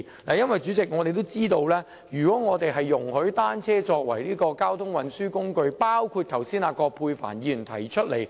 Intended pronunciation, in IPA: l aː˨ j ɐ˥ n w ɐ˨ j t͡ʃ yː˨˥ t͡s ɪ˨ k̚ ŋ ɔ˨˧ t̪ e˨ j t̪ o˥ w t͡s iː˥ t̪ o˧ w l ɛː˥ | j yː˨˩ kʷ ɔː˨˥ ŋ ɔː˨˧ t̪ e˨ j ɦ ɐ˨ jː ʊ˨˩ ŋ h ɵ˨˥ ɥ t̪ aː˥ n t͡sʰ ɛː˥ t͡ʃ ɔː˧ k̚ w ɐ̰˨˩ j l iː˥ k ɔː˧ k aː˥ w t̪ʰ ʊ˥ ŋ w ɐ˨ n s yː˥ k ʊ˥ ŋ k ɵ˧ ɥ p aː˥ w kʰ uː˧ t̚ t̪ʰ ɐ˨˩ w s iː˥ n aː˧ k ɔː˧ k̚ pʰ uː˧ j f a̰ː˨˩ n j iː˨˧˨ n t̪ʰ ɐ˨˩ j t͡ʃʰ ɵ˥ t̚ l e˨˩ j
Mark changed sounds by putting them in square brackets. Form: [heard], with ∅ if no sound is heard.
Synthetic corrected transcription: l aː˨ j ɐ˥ n w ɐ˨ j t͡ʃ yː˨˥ t͡s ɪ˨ k̚ ŋ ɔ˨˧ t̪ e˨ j t̪ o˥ w t͡s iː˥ t̪ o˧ w l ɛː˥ | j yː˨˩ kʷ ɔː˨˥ ŋ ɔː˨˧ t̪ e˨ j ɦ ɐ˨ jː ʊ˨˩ ŋ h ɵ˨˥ ɥ t̪ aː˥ n t͡sʰ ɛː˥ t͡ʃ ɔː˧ k̚ w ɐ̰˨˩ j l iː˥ k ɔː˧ k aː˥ w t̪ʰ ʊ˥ ŋ w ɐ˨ n s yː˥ k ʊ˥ ŋ k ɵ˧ ɥ p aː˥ w kʰ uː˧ t̚ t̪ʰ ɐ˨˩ w s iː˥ n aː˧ k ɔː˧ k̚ pʰ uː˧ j f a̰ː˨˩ n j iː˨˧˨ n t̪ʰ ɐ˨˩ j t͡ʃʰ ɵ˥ t̚ l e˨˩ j